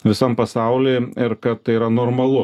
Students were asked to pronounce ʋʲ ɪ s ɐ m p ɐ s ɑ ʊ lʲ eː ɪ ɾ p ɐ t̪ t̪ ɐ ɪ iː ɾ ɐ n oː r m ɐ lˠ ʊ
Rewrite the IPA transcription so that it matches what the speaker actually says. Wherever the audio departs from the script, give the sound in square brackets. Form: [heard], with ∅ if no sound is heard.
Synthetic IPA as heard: ʋʲ ɪ s ɐ m p ɐ s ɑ ʊ lʲ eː ɪ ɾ [k] ɐ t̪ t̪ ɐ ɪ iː ɾ ɐ n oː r m ɐ lˠ ʊ